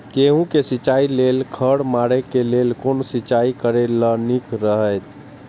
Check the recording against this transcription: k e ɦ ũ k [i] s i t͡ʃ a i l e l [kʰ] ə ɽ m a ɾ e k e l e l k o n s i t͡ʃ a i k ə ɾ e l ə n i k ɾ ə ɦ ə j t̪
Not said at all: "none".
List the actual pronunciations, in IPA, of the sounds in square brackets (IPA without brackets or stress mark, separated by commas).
e, kʰ